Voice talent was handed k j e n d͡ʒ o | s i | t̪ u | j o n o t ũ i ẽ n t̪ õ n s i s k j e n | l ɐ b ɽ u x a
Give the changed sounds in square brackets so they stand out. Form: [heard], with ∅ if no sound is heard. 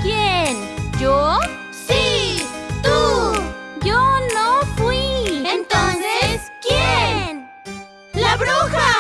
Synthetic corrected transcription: k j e n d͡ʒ o | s i | t̪ u | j o n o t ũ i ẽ n t̪ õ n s [e] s k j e n | l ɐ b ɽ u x a